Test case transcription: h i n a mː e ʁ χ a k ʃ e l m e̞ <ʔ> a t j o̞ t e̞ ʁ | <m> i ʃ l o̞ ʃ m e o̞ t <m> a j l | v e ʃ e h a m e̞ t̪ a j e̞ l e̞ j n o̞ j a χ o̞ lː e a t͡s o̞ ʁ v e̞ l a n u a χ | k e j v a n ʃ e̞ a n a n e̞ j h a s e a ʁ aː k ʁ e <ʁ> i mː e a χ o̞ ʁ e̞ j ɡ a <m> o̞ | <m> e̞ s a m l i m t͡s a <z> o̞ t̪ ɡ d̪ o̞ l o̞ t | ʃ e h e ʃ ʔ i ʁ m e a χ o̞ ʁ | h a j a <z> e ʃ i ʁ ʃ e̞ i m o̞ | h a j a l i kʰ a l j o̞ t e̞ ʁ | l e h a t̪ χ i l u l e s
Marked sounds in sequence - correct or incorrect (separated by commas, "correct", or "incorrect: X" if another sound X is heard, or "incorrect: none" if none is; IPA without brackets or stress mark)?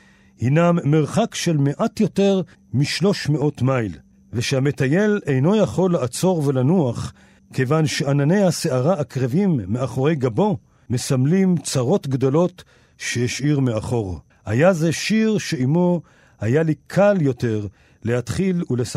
correct, correct, correct, incorrect: v, incorrect: b, correct, incorrect: ʁ, correct